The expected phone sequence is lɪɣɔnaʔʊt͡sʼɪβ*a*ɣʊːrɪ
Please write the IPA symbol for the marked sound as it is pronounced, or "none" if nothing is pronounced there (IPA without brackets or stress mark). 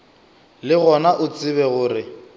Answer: ɛ